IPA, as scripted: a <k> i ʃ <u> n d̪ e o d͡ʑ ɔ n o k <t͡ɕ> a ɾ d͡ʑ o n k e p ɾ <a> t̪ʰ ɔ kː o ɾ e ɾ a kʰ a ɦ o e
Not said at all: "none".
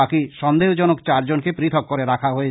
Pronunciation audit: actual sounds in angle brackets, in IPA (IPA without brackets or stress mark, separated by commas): k, ɔ, t͡ɕ, i